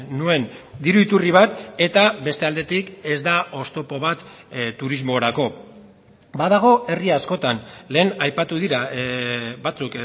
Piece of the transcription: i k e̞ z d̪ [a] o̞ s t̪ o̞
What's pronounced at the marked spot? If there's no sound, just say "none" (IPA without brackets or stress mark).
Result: a